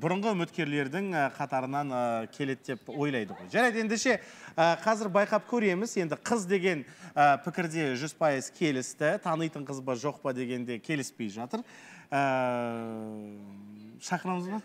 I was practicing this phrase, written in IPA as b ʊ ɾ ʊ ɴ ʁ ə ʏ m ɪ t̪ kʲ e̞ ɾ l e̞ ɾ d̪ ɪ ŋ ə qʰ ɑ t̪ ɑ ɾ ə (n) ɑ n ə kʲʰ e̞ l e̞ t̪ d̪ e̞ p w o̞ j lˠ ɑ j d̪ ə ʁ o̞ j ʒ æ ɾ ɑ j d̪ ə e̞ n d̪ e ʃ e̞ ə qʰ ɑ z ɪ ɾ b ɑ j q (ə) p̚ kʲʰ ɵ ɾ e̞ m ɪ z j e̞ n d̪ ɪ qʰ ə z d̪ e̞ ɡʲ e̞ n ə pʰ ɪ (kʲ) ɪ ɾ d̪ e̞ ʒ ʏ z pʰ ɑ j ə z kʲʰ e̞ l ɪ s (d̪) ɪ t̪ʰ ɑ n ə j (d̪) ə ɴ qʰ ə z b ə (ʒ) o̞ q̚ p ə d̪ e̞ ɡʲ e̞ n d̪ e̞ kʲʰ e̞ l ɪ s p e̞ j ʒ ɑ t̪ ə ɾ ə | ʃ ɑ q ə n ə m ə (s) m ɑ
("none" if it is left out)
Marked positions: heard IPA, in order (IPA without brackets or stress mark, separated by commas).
n, ɑ, kʲ, t̪, t̪, ʒ, z